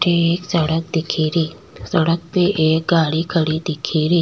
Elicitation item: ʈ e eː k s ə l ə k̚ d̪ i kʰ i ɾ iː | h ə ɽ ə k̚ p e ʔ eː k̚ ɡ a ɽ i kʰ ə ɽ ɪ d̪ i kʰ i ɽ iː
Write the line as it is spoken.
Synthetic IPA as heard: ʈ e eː k s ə ɽ ə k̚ d̪ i kʰ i ɾ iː | s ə ɽ ə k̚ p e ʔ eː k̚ ɡ a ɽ i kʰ ə ɽ i d̪ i kʰ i ɾ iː